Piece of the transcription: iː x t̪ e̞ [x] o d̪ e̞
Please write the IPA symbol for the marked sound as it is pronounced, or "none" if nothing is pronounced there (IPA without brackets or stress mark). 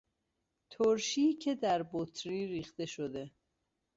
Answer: ʃ